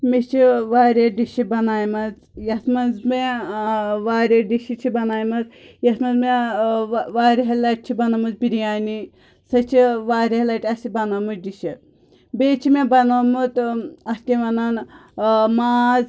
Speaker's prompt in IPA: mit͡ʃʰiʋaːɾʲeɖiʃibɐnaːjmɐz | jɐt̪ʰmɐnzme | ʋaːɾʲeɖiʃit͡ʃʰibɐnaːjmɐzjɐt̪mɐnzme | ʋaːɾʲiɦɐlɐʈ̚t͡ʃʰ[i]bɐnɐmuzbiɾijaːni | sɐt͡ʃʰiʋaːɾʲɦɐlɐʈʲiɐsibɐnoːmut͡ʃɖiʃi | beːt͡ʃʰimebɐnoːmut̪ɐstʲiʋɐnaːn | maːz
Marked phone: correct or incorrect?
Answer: correct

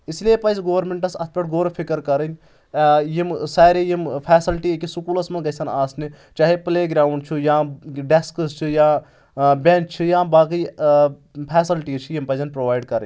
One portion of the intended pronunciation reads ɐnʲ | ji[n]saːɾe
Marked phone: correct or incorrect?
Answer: incorrect: m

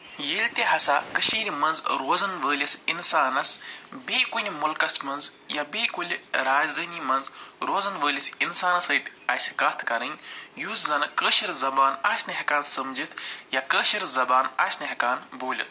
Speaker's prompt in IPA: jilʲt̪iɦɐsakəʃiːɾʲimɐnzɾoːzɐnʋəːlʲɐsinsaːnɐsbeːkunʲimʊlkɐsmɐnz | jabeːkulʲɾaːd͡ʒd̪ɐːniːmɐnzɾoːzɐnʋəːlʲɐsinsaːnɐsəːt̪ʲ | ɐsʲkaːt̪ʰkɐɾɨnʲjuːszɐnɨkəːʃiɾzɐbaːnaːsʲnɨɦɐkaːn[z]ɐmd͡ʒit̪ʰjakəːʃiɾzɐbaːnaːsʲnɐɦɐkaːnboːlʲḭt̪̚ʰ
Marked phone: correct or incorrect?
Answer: incorrect: s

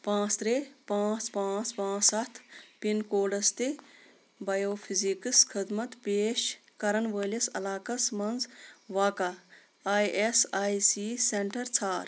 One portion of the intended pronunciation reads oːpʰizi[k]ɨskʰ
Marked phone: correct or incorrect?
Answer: correct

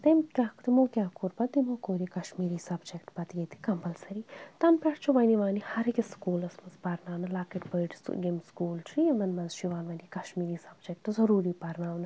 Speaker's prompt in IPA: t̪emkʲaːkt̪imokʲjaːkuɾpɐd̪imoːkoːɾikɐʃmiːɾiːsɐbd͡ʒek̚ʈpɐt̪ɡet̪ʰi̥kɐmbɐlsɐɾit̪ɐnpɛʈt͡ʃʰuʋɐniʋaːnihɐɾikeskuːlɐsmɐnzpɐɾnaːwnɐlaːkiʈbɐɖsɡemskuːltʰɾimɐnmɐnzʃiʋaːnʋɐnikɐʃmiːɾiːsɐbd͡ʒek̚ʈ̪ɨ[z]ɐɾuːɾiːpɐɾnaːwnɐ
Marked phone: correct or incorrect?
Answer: correct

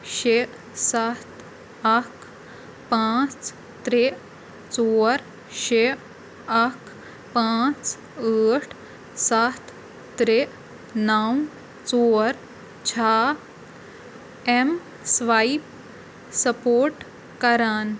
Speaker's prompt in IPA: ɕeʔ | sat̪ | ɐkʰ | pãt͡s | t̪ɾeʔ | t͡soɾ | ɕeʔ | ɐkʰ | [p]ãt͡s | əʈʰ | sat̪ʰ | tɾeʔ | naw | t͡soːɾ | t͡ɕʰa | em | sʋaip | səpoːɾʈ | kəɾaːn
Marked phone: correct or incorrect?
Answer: correct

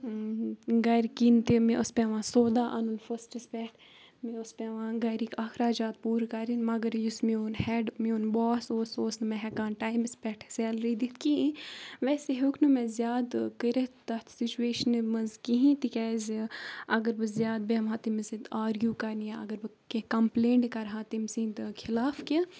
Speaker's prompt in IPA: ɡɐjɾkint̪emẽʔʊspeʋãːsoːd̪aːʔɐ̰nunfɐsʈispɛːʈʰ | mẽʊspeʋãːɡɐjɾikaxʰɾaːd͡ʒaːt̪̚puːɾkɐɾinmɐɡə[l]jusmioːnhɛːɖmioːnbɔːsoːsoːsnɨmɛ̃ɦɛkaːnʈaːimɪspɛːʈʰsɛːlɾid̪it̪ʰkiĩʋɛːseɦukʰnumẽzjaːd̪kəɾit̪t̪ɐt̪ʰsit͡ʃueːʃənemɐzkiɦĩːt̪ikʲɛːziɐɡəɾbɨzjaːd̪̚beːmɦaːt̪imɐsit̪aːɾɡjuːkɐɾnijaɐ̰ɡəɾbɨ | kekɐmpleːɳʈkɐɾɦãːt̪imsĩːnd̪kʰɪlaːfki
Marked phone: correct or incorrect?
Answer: incorrect: ɾ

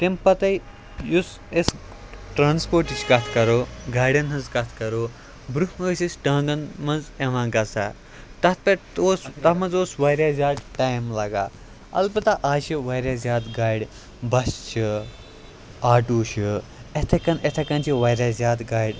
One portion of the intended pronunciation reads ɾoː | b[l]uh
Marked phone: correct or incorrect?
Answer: incorrect: ɾ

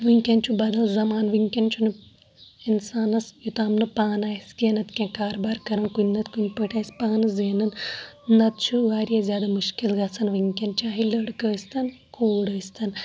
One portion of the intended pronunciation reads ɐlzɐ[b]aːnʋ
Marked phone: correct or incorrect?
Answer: incorrect: m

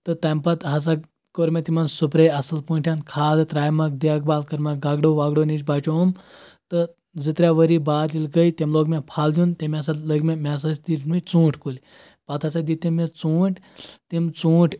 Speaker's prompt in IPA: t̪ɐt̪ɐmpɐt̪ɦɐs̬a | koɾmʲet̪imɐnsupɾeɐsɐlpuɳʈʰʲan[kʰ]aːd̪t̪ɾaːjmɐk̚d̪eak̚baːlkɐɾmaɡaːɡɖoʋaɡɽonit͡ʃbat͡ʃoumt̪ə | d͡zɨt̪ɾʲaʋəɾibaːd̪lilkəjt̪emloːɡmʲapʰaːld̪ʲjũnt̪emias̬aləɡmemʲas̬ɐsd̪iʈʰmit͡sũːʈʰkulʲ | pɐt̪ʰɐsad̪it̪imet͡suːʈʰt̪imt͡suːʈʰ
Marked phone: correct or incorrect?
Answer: correct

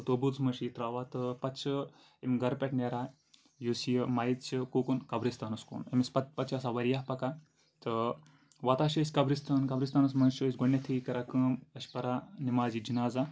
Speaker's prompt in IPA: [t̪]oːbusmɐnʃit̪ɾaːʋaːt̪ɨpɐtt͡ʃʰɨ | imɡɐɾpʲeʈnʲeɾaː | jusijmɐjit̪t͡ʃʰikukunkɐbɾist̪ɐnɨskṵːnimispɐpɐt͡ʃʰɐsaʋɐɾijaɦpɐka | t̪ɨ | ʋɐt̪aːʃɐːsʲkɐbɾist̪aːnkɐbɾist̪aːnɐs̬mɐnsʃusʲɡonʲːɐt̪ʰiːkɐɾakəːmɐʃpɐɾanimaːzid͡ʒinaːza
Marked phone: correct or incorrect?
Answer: correct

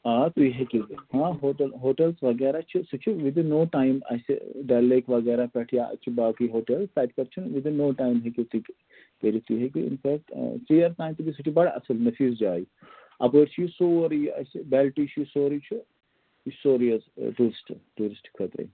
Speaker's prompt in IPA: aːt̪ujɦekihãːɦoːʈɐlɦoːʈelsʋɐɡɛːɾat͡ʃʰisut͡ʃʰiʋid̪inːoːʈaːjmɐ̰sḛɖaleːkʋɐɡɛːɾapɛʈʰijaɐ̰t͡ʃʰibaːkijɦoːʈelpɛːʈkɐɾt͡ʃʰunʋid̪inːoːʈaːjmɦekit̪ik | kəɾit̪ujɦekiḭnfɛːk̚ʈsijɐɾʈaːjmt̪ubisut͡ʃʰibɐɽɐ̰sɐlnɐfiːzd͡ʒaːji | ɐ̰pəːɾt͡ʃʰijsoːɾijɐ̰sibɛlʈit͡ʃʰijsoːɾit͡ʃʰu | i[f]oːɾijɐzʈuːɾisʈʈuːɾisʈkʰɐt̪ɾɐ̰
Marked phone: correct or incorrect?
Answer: incorrect: s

